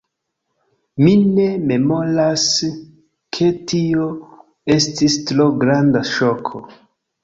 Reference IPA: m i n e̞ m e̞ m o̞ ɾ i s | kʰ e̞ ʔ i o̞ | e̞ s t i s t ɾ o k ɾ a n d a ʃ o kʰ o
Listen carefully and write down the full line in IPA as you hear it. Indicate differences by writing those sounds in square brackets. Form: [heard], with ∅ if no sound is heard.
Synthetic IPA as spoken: m i n e̞ m e̞ m o̞ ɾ [a] s | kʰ e̞ [t] i o̞ | e̞ s t i s t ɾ o [ɡ] ɾ a n d a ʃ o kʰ o